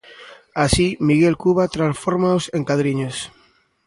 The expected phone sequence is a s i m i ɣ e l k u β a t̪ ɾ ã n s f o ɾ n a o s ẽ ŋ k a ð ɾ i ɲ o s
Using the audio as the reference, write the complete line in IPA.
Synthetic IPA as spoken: a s i m i ɣ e l k u β a t̪ ɾ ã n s f o ɾ m a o s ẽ ŋ k a ð ɾ i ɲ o s